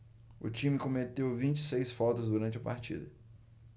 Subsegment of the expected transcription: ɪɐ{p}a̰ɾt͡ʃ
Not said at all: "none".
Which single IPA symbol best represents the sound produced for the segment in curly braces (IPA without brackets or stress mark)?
p